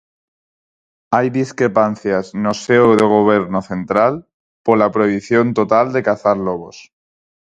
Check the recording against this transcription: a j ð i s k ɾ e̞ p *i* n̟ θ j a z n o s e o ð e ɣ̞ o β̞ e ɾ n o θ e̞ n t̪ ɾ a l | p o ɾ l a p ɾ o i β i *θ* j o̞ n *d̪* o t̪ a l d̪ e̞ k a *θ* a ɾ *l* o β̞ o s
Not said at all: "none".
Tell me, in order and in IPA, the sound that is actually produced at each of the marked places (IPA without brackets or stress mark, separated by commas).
a, θ, t̪, θ, l